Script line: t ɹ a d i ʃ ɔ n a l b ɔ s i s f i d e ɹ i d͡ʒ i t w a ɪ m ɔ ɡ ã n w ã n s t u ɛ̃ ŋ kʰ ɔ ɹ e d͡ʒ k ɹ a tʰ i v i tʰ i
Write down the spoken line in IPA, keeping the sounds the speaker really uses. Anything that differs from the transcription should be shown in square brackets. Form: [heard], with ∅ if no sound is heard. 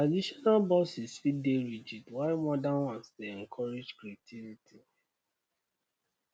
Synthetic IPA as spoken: t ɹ a d i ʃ ɔ n a l b ɔ s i s f i d e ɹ i d͡ʒ i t w a ɪ m ɔ [d] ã n w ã n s t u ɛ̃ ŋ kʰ ɔ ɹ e d͡ʒ k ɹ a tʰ i v i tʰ i